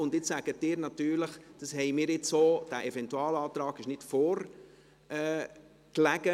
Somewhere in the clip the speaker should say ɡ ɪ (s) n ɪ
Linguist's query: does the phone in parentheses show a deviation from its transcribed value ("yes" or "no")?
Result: yes